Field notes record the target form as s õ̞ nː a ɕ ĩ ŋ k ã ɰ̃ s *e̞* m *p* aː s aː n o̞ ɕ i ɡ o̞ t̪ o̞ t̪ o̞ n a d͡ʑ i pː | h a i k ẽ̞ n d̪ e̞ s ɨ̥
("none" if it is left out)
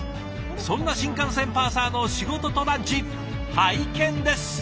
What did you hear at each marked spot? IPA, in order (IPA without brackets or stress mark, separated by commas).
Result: ẽ̞, p